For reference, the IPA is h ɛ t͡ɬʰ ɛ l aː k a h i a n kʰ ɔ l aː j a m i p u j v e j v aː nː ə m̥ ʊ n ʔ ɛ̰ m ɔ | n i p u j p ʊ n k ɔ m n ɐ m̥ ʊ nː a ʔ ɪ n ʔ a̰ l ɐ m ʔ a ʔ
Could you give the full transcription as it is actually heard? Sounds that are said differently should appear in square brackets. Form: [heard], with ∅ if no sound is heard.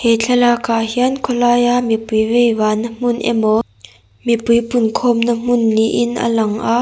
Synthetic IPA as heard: h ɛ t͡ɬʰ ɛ l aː k a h i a n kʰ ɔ l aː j a m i p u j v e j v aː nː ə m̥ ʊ n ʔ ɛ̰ m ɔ | [m] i p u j p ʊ n [kʰ] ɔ m n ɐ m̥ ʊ nː [i] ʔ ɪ n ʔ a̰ l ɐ [ŋ] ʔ a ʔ